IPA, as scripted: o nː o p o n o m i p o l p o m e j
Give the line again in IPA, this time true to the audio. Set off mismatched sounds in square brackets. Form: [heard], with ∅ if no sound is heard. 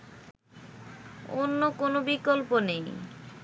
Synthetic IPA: o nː o [k] o n o [b] i [k] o l p o [n] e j